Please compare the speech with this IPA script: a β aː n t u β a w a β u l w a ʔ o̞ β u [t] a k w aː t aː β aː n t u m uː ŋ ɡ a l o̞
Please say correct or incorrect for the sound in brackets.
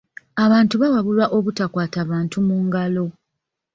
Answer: correct